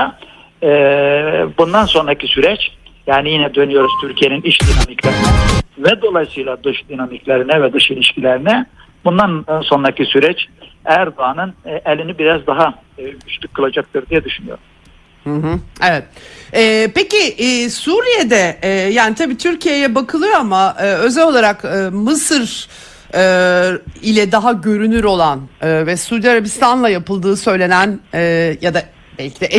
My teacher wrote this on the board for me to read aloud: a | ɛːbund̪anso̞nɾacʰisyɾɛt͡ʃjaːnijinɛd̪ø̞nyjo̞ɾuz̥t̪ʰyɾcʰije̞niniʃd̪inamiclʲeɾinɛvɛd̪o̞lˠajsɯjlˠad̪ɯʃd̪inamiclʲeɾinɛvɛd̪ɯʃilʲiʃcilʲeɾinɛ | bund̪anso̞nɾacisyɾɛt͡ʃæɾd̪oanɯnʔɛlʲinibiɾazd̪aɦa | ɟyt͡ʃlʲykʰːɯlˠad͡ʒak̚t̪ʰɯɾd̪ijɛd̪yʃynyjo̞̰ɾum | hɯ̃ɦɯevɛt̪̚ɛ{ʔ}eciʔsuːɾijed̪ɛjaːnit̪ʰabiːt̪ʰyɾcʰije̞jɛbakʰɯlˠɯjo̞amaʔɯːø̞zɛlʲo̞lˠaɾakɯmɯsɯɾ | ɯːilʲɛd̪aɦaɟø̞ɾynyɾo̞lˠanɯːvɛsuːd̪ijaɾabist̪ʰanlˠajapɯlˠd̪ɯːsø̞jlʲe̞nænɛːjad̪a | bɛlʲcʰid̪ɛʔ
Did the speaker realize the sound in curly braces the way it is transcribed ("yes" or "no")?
no